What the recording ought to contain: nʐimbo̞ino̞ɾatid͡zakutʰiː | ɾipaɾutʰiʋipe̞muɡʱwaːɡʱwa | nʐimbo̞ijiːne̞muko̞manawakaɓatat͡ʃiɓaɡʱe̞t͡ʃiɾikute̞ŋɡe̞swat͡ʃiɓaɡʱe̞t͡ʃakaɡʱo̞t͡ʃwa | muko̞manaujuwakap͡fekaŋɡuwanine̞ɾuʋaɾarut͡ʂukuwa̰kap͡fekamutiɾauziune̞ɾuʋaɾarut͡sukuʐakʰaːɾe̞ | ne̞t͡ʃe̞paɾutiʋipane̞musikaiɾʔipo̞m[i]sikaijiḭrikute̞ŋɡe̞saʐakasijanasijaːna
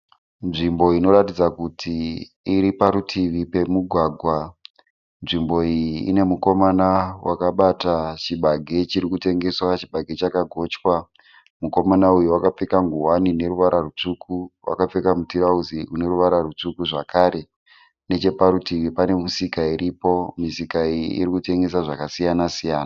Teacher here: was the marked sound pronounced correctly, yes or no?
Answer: yes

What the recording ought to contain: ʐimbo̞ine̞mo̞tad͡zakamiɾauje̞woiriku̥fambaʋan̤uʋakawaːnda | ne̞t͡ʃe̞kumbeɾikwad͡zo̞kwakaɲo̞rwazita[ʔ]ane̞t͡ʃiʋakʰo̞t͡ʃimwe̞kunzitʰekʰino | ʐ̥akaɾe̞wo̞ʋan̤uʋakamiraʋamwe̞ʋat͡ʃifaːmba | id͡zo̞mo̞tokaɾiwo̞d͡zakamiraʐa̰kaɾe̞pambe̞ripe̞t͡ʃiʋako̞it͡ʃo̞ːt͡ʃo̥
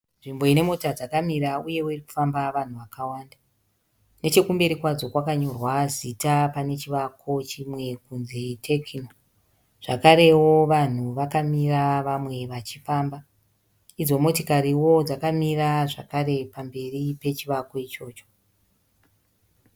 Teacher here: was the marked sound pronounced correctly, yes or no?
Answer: no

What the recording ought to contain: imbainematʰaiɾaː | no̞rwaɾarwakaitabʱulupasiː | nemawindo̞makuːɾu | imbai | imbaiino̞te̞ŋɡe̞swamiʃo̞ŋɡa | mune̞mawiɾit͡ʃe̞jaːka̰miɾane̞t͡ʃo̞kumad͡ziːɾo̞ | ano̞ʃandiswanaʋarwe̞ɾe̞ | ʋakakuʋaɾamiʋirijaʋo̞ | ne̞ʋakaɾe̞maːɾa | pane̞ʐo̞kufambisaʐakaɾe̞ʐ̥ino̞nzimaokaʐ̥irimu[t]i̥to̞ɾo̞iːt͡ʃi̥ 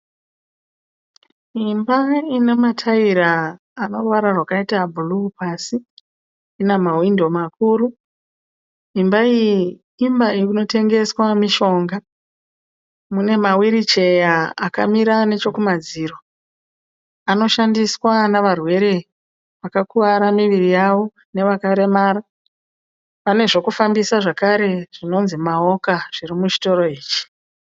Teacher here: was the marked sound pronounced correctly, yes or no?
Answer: no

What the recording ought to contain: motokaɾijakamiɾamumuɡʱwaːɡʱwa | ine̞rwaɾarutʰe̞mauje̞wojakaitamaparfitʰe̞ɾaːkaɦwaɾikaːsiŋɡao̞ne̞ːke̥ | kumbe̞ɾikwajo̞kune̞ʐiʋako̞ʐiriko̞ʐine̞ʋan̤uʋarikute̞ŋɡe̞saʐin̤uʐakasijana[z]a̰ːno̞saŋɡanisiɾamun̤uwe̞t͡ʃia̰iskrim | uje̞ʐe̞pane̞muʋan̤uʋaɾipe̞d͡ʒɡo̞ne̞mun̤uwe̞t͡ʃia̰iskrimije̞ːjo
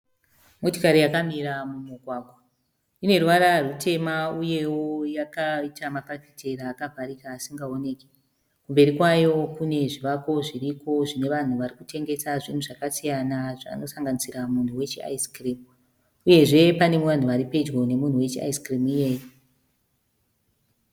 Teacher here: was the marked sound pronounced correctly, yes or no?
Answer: no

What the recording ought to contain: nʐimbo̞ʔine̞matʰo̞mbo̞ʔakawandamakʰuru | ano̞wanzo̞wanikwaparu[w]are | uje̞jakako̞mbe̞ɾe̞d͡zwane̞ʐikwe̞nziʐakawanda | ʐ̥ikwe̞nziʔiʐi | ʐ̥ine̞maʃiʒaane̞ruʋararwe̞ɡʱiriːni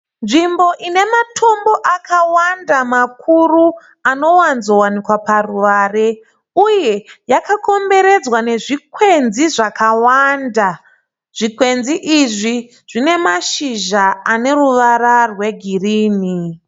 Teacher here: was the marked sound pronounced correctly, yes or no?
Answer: no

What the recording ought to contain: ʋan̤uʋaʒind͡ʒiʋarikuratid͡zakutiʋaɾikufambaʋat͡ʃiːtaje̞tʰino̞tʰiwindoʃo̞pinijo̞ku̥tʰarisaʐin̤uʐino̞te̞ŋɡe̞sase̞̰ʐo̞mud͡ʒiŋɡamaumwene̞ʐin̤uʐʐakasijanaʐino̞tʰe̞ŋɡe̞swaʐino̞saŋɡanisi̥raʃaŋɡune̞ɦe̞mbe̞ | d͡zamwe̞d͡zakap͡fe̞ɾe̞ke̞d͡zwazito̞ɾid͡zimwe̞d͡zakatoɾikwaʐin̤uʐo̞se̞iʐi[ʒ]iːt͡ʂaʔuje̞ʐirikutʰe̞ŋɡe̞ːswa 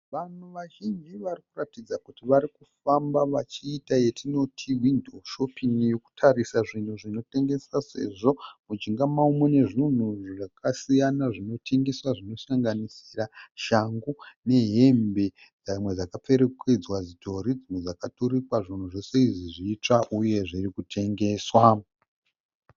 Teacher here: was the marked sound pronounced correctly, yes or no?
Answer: no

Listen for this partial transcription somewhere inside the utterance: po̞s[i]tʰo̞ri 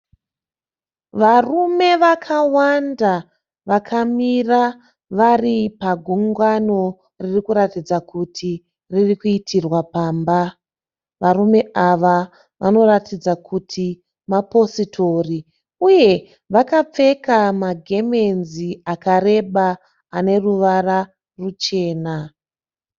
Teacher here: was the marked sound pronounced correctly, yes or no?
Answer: yes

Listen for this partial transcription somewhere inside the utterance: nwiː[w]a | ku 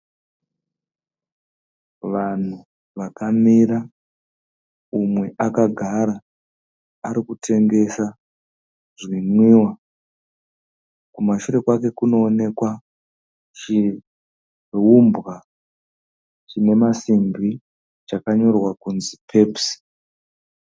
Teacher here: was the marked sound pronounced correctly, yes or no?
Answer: yes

